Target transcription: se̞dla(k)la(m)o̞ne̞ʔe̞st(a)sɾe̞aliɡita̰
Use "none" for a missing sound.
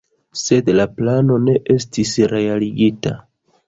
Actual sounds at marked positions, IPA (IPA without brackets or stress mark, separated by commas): p, n, i